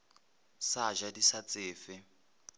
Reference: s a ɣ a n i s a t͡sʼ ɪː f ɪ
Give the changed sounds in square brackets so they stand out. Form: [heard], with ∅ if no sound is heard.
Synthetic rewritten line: s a [ʒ] a [d] i s a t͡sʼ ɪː f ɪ